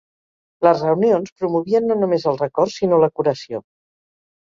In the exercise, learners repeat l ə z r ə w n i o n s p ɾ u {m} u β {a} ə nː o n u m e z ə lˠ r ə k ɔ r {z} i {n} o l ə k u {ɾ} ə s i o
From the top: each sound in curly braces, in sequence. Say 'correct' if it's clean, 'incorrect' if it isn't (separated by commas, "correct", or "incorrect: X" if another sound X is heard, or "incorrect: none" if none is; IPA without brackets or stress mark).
correct, incorrect: i, incorrect: s, correct, correct